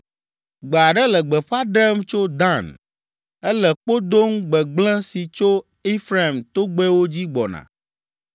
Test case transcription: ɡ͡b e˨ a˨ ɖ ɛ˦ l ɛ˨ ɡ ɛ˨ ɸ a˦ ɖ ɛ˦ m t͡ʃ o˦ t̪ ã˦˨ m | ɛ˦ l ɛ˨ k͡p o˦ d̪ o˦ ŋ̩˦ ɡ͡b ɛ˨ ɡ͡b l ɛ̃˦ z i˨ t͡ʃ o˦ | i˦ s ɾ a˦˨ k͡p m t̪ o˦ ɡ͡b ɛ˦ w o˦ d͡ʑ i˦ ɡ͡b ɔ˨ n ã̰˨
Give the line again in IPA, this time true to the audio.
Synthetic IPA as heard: ɡ͡b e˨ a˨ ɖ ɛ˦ l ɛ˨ ɡ͡b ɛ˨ ɸ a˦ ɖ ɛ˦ m t͡ʃ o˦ d̪ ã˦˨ n | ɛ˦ l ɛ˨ k͡p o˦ d̪ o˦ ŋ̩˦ ɡ͡b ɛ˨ ɡ͡b l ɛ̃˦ s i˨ t͡ʃ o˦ | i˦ f ɾ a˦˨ m t̪ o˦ ɡ͡b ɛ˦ w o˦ d͡ʑ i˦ ɡ͡b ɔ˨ n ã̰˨